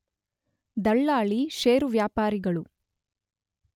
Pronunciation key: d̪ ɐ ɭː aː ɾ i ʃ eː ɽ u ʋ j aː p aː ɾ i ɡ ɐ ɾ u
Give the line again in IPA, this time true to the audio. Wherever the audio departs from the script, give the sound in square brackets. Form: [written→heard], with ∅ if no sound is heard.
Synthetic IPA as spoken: d̪ ɐ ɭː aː [ɾ→ɭ] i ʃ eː [ɽ→ɾ] u ʋ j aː p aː ɾ i ɡ ɐ [ɾ→ɭ] u